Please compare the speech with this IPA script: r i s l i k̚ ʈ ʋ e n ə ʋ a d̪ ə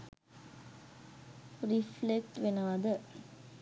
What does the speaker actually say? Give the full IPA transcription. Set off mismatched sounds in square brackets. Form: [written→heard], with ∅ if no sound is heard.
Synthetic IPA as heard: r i [s→f] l [i→e] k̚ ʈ ʋ e n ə ʋ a d̪ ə